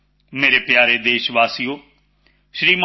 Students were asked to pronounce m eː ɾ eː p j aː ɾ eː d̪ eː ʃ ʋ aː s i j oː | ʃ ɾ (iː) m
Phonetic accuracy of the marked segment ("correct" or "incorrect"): correct